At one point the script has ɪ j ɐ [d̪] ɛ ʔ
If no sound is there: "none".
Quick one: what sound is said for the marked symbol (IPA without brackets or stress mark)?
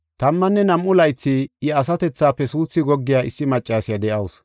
d̪